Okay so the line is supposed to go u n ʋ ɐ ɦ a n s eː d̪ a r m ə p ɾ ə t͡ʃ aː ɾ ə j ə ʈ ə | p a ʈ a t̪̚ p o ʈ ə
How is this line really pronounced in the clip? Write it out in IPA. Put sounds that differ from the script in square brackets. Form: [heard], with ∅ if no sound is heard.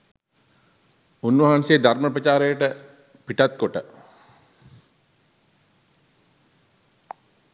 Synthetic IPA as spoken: u n ʋ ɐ ɦ a n s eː d̪ a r m ə p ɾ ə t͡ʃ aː ɾ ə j ə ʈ ə | p [i] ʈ a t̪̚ [k] o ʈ ə